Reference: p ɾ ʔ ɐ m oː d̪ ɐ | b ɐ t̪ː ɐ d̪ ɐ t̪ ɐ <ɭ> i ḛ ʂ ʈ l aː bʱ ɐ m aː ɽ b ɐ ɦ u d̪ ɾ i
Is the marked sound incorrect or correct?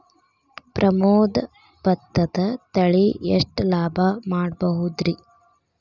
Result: correct